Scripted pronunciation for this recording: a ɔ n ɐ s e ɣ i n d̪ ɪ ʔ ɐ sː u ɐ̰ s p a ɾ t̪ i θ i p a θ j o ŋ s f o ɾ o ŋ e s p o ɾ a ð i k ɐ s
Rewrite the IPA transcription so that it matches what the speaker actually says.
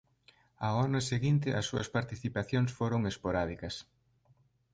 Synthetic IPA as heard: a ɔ n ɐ s e ɣ i n t̪ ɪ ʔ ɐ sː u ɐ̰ s p a ɾ t̪ i θ i p a θ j o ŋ s f o ɾ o ŋ e s p o ɾ a ð i k ɐ s